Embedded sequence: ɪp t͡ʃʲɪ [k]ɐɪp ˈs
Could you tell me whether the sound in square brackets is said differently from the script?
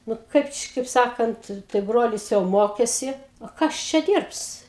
no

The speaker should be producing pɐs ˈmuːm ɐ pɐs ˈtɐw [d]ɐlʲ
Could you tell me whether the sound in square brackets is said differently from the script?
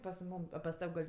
yes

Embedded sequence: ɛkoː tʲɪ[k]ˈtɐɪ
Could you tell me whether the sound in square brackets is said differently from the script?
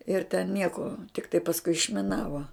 no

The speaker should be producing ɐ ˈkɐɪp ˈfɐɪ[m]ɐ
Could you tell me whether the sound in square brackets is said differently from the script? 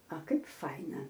yes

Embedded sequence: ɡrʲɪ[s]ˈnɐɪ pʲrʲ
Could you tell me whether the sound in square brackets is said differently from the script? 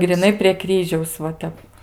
yes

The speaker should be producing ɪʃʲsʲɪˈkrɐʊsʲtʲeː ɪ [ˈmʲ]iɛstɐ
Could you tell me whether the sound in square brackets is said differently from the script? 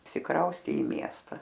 no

